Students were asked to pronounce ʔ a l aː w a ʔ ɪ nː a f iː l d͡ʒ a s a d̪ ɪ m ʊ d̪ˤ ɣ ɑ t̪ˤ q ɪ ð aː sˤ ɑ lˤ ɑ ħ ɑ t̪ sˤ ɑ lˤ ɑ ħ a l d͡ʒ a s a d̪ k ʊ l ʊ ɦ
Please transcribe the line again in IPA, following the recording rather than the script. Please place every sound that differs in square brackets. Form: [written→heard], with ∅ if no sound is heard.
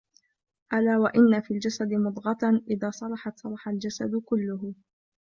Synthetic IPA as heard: ʔ a l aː w a ʔ ɪ nː a f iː l d͡ʒ a s a d̪ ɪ m ʊ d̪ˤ ɣ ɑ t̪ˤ [q→ʔ] ɪ ð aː sˤ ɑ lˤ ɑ ħ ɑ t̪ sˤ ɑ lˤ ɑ ħ a l d͡ʒ a s a d̪ k ʊ [l→lː] ʊ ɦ